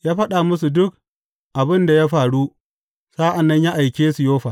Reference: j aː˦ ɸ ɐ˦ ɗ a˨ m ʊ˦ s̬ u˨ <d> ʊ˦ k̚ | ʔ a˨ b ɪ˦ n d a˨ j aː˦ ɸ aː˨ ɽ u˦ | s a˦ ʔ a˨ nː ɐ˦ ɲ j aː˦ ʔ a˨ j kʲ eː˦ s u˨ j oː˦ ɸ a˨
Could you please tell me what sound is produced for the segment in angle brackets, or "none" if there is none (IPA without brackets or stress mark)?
d